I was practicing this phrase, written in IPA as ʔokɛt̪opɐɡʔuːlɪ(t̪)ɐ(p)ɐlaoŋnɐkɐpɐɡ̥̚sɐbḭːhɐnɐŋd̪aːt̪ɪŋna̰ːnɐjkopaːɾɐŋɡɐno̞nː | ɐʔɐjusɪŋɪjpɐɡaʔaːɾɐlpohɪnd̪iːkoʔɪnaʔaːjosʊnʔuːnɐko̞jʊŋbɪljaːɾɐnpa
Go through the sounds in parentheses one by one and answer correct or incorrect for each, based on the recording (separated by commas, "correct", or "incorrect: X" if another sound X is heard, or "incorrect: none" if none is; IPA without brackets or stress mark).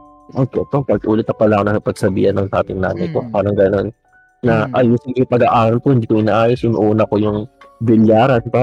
correct, correct